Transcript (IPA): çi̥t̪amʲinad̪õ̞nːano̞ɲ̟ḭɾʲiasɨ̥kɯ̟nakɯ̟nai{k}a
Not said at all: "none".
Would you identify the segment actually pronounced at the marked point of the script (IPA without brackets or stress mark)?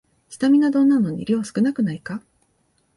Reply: k